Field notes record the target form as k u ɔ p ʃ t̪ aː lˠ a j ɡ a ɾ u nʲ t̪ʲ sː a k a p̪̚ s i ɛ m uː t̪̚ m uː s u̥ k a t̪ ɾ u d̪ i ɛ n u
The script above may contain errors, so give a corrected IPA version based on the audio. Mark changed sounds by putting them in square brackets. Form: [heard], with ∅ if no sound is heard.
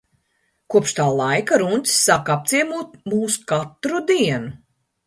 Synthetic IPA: k u ɔ p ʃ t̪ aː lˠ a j [k] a ɾ u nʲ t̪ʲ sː a k a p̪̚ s i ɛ m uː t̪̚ m uː s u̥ k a t̪ ɾ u d̪ i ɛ n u